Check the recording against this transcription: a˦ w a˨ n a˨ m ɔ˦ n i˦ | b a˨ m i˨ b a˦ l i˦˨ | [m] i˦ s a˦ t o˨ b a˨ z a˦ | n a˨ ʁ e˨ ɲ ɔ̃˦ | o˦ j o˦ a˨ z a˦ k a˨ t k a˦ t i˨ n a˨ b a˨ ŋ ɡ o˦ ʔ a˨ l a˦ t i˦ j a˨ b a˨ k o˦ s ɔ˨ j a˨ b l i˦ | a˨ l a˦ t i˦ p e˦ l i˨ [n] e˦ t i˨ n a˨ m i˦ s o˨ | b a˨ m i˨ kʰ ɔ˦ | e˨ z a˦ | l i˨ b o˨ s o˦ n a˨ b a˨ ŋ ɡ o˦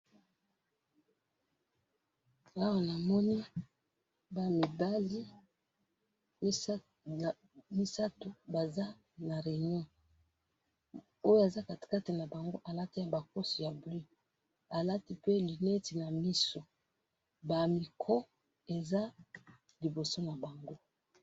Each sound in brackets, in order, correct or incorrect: correct, correct

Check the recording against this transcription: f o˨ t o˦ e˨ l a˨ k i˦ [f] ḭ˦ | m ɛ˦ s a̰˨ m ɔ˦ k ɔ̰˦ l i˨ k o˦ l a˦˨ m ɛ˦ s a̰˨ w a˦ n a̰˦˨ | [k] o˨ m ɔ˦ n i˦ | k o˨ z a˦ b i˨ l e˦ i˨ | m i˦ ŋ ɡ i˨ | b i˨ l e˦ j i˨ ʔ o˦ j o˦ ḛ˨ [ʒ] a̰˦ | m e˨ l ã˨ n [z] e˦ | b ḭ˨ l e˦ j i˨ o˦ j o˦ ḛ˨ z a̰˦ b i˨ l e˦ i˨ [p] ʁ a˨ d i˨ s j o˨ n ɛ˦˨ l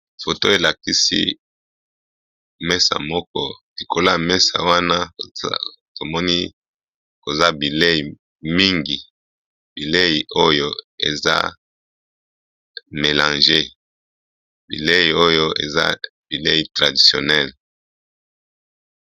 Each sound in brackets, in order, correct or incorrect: incorrect, incorrect, incorrect, incorrect, incorrect

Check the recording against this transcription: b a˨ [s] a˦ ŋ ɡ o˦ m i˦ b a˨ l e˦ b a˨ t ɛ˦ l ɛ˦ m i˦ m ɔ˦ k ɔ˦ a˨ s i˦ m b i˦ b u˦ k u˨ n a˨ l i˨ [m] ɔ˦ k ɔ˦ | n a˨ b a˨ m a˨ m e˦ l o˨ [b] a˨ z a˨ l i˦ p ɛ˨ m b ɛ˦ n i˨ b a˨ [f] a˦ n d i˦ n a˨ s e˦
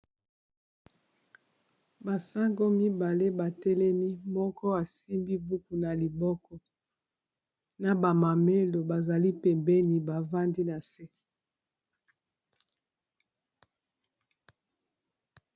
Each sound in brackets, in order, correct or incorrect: correct, incorrect, correct, incorrect

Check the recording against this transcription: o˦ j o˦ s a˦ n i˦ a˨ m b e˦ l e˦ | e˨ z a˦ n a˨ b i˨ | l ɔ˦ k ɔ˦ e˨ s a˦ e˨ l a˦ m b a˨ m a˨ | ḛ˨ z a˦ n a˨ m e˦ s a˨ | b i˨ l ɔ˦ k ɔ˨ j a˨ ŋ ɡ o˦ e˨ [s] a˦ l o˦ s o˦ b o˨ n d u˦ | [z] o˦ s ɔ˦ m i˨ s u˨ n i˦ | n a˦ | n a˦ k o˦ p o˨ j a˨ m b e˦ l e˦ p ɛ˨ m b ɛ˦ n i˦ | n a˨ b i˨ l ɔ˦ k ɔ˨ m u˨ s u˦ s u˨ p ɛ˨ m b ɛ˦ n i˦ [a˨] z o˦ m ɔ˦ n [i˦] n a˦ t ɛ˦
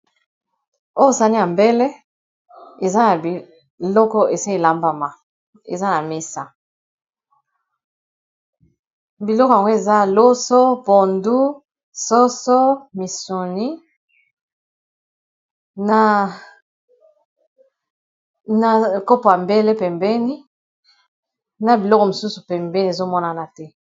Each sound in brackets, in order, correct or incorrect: incorrect, incorrect, incorrect, incorrect

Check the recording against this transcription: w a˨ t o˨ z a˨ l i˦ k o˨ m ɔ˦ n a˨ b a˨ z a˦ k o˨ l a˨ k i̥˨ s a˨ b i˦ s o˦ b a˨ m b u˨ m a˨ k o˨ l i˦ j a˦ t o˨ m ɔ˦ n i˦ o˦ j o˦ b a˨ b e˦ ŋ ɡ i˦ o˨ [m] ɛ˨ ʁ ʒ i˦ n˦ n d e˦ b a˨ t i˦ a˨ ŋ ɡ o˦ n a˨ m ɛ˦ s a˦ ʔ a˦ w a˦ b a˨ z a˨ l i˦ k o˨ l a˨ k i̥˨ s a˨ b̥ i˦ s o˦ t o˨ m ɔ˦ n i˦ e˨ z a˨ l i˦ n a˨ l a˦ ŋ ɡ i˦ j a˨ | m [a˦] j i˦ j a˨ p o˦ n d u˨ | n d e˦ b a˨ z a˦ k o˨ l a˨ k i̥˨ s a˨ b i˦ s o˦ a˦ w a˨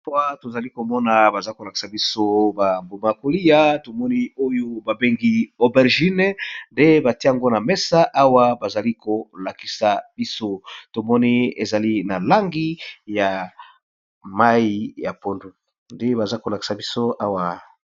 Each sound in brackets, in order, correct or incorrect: incorrect, correct

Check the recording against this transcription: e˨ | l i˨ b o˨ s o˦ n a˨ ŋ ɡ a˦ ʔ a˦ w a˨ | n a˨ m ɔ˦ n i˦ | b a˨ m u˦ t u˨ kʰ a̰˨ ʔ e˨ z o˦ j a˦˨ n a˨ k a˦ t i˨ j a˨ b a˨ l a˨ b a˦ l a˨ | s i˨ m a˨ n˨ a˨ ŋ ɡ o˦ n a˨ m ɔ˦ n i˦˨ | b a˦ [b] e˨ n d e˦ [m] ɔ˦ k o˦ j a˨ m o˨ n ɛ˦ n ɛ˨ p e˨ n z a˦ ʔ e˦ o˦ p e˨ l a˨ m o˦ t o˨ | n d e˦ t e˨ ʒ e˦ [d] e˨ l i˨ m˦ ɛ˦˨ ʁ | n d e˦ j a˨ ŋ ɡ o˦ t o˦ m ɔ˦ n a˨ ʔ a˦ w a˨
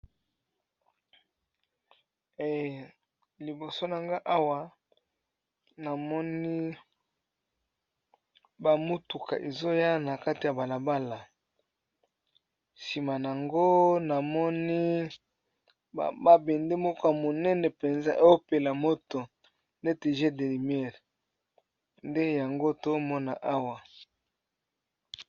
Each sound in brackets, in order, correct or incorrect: correct, correct, correct

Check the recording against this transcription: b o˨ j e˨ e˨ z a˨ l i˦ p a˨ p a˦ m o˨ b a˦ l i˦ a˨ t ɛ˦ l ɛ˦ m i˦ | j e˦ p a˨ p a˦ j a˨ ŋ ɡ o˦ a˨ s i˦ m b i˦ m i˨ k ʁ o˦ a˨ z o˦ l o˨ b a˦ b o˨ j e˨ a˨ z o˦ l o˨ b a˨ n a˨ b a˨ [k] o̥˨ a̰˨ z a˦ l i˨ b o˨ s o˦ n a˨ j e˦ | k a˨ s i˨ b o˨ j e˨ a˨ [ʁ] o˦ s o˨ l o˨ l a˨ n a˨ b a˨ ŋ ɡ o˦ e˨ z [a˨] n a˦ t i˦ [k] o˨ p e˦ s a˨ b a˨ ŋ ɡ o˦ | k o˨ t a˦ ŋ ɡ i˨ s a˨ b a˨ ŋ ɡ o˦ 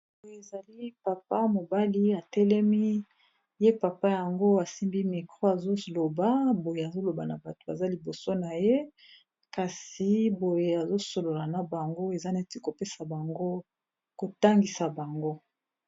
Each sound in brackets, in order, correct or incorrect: incorrect, incorrect, incorrect, correct

